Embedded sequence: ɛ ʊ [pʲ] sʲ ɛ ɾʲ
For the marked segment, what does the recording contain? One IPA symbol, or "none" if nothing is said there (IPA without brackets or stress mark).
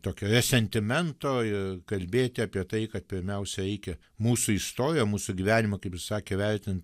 none